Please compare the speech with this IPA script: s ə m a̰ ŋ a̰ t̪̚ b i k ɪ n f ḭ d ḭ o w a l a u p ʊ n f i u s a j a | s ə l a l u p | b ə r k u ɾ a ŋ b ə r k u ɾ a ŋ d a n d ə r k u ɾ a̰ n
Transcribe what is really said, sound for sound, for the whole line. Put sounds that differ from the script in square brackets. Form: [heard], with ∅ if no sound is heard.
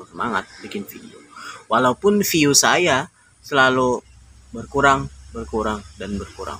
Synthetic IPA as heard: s ə m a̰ ŋ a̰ t̪̚ b i k ɪ n f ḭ d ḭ o w a l a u p ʊ n f i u s a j a | s ə l a l u [∅] | b ə r k u ɾ a ŋ b ə r k u ɾ a ŋ d a n [b] ə r k u ɾ a̰ [ŋ]